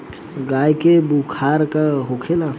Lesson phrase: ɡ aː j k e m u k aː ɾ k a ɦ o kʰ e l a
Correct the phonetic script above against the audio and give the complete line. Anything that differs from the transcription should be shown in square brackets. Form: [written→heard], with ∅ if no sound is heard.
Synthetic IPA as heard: ɡ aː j k e [m→b] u [k→kʰ] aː ɾ k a ɦ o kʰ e l a